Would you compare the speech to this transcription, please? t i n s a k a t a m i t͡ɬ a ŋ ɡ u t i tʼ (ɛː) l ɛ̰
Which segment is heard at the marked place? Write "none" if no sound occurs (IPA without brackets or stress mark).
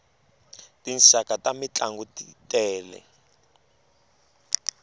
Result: ɛː